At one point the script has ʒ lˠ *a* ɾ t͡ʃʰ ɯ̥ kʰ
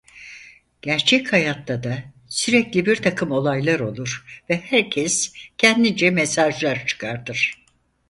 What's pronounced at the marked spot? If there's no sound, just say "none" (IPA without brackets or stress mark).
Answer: a